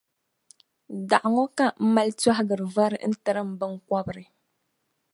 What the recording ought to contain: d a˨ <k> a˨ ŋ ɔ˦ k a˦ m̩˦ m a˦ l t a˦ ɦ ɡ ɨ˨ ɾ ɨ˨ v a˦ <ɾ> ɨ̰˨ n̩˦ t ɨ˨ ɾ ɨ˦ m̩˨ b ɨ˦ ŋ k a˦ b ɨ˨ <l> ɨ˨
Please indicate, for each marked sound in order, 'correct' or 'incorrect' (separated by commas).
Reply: incorrect, correct, incorrect